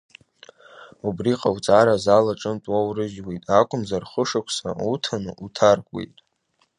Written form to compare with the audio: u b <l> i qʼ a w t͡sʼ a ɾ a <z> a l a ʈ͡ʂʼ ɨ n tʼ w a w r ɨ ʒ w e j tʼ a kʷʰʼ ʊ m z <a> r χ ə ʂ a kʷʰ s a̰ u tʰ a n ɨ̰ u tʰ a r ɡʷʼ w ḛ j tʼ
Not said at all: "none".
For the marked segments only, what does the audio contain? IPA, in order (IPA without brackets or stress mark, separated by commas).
r, z, a